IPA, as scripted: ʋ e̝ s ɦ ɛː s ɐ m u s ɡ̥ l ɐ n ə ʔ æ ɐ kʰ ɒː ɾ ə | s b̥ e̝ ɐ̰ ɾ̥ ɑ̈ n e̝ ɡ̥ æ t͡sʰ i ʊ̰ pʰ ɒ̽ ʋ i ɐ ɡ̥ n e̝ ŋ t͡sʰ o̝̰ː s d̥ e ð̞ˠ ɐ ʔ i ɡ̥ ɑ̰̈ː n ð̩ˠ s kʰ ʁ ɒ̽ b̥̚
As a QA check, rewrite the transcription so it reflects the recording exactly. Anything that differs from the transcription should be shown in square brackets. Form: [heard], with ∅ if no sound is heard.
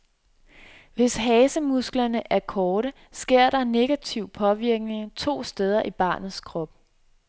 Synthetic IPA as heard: ʋ e̝ s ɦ ɛː s [ə] m u s ɡ̥ l ɐ n ə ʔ æ ɐ kʰ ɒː ɾ ə | s [ɡ̥] e̝ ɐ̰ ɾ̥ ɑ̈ n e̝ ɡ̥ æ t͡sʰ i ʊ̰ pʰ ɒ̽ ʋ i ɐ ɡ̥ n e̝ ŋ t͡sʰ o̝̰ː s d̥ e ð̞ˠ ɐ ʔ i [b̥] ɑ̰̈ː n ð̩ˠ s kʰ ʁ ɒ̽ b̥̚